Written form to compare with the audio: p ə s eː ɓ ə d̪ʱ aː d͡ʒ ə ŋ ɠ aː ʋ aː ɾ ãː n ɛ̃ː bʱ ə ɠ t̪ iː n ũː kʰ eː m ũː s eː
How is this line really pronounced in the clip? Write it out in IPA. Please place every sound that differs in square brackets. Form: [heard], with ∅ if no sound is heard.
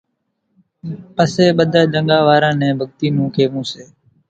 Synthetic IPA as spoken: p ə s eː ɓ ə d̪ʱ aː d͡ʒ ə ŋ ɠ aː ʋ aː ɾ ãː n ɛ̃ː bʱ ə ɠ t̪ iː n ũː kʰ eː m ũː s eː